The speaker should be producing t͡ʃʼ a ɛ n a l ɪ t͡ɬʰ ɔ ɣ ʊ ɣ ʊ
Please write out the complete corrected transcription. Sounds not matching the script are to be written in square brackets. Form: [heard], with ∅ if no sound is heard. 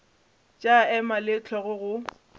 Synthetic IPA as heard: t͡ʃʼ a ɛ [m] a l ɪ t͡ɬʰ ɔ ɣ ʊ ɣ ʊ